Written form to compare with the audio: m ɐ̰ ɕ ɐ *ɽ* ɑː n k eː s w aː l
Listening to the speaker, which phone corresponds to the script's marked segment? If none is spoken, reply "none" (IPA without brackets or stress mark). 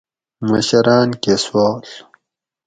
ɾ